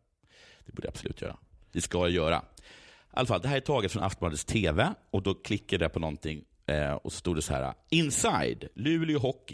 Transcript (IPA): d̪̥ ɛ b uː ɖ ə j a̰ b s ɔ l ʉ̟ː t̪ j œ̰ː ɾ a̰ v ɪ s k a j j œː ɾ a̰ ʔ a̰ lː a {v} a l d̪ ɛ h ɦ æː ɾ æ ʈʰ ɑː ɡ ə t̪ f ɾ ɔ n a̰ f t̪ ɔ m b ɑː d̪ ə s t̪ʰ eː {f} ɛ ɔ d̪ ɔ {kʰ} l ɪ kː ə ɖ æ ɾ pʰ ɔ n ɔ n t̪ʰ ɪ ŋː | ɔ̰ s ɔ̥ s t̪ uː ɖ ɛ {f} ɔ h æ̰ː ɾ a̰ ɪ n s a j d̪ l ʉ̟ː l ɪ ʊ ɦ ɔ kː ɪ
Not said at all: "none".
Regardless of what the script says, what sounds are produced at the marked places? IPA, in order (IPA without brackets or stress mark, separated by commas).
f, v, kʰ, s